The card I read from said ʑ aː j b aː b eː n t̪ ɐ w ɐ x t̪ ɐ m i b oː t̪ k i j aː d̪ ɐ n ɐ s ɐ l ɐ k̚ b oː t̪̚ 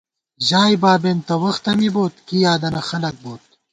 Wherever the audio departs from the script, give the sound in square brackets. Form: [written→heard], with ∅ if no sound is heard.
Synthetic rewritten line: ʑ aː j b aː b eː n t̪ ɐ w ɐ x t̪ ɐ m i b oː t̪ k i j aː d̪ ɐ n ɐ [s→x] ɐ l ɐ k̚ b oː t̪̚